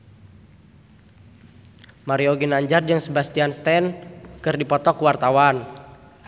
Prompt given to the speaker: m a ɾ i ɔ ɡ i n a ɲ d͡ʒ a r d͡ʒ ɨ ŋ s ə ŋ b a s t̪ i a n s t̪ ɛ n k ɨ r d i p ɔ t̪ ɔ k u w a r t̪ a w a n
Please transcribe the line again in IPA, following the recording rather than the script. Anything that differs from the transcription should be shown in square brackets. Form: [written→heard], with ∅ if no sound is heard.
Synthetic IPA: m a ɾ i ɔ ɡ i n a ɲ d͡ʒ a r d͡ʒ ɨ ŋ s ə [ŋ→∅] b a s t̪ i a n s t̪ ɛ n k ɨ r d i p ɔ t̪ ɔ k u w a r t̪ a w a n

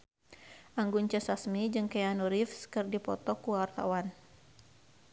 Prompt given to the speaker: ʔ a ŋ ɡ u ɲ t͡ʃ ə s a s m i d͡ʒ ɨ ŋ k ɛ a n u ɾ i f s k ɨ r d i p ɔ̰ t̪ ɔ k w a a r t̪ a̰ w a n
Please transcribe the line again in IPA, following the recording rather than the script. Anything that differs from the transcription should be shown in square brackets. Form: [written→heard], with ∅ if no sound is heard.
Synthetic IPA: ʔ a ŋ ɡ u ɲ t͡ʃ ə s a s m i d͡ʒ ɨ ŋ k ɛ a n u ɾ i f s k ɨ r d i p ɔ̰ t̪ ɔ k [w→u] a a r t̪ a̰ w a n

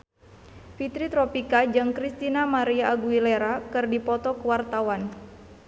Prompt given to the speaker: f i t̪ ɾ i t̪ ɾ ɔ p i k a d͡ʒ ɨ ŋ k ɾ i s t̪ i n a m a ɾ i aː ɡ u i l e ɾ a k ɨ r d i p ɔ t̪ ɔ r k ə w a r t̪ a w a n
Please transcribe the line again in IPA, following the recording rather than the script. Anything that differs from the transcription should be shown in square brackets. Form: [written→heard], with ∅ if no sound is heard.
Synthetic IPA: f i t̪ ɾ i t̪ ɾ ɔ p i k a d͡ʒ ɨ ŋ k ɾ i s t̪ i n a m a ɾ i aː ɡ u i l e ɾ a k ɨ r d i p ɔ t̪ ɔ [r→∅] k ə w a r t̪ a w a n

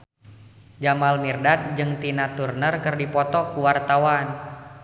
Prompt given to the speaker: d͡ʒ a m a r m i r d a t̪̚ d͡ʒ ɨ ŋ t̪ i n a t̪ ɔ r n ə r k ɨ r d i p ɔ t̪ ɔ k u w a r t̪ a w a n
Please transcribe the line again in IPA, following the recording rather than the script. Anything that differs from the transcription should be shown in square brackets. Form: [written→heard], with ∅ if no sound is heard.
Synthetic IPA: d͡ʒ a m a [r→l] m i r d a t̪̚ d͡ʒ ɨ ŋ t̪ i n a t̪ [ɔ→u] r n ə r k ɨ r d i p ɔ t̪ ɔ k u w a r t̪ a w a n

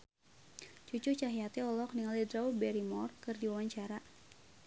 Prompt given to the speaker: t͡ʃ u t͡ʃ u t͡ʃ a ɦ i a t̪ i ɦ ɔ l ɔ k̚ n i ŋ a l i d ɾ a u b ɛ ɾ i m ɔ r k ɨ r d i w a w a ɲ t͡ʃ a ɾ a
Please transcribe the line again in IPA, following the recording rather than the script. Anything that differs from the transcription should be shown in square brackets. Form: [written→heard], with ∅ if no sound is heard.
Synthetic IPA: t͡ʃ u t͡ʃ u t͡ʃ a ɦ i a t̪ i [ɦ→∅] ɔ l ɔ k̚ n i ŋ a l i d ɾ a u b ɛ ɾ i m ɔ r k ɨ r d i w a w a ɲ t͡ʃ a ɾ a

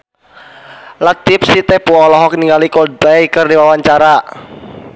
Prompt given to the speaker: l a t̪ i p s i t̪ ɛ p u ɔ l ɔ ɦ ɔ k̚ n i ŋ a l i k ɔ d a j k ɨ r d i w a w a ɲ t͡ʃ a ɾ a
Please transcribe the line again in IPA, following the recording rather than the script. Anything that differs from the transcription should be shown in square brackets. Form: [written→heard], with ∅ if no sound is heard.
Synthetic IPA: l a t̪ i p s i t̪ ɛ p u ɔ l ɔ ɦ ɔ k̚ n i ŋ a l i k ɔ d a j k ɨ r d i w a w a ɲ t͡ʃ a ɾ a

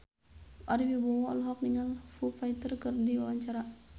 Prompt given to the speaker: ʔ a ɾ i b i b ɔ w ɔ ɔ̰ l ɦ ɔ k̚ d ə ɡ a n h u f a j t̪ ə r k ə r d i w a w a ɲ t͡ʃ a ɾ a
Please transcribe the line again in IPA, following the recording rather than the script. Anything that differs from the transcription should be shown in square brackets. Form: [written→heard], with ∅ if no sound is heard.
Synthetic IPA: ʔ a ɾ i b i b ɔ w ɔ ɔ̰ l ɦ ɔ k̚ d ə [ɡ→ŋ] a n [h→f] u f a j t̪ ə r k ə r d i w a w a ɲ t͡ʃ a ɾ a

